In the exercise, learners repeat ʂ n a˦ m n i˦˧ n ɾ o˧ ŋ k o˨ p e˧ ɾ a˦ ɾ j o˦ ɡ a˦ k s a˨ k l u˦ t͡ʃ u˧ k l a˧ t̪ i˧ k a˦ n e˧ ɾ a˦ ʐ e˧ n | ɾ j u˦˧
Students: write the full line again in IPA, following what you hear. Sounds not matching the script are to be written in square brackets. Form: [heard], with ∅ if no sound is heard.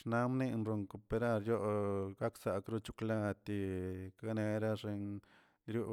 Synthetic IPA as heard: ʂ n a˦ m n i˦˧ n ɾ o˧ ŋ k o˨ p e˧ ɾ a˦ ɾ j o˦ ɡ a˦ k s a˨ k [ɾ] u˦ t͡ʃ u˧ k l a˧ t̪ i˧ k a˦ n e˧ ɾ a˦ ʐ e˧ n | ɾ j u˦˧